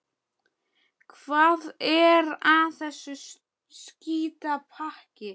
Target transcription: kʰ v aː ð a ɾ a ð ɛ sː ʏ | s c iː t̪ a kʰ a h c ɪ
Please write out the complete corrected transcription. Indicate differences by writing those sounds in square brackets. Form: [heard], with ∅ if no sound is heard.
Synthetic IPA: kʰ v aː ð [ɛ] ɾ a [θ] ɛ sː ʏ | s c iː t̪ a [pʰ] a h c ɪ